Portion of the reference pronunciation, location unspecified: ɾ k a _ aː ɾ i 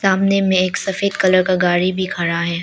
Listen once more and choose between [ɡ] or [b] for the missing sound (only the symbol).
ɡ